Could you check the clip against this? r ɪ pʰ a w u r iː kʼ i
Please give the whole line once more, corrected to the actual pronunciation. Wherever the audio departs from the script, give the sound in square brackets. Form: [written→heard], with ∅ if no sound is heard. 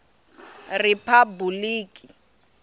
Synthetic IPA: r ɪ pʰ a [w→b] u [r→l] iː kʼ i